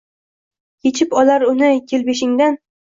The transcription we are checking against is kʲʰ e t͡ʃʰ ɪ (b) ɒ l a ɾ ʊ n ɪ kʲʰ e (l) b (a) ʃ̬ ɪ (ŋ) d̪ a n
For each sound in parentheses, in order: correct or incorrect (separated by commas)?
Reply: incorrect, correct, incorrect, correct